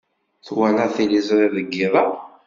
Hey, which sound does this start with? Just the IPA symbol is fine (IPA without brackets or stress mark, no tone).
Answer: θ